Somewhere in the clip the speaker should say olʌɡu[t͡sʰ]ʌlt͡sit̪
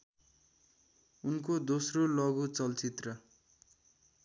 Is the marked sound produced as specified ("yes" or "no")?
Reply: no